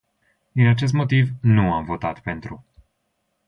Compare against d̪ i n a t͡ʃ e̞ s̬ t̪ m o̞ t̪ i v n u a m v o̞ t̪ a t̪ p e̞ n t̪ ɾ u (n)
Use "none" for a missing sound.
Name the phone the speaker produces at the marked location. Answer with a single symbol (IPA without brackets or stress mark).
none